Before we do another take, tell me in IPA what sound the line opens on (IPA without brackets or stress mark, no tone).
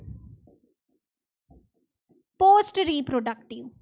p